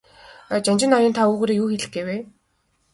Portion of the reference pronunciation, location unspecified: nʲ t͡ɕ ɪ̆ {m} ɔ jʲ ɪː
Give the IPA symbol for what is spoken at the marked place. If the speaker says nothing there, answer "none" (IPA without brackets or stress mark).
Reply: n